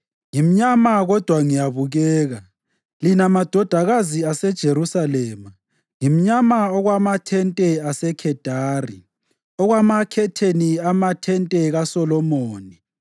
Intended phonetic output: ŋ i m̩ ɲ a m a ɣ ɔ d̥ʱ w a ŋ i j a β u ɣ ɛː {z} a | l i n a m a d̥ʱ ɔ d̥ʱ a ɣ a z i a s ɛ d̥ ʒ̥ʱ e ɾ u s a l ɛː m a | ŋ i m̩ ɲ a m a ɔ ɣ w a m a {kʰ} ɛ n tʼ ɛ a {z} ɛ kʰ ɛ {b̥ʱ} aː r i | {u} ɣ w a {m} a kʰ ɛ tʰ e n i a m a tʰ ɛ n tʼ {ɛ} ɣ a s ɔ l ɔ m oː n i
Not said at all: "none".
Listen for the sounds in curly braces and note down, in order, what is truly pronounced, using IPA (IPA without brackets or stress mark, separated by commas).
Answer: ɣ, tʰ, s, d̥ʱ, ɔ, m, ɛ